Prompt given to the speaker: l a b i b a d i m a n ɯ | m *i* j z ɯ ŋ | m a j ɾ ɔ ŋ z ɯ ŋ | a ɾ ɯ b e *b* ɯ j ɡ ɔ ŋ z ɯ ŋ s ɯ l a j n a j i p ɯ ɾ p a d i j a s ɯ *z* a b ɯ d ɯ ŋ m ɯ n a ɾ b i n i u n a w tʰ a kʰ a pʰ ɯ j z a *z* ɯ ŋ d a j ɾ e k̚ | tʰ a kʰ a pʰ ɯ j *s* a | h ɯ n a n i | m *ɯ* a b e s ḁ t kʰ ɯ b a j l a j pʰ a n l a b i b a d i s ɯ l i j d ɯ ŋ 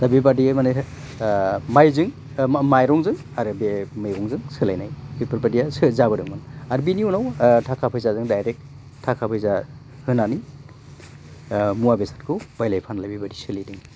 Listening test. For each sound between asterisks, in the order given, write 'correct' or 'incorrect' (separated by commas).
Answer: incorrect, incorrect, correct, correct, incorrect, incorrect